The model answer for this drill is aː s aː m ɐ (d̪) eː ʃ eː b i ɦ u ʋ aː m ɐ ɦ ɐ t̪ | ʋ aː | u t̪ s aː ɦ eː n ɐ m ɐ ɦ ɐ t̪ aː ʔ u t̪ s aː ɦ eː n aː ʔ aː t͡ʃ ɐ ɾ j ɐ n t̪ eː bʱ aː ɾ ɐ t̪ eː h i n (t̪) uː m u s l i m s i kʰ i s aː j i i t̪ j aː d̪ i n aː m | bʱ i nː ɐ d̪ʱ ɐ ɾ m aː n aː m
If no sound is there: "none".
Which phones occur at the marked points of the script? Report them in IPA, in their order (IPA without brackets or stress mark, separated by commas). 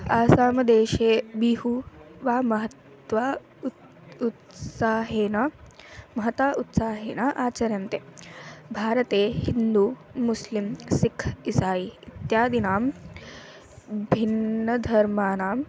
d̪, d̪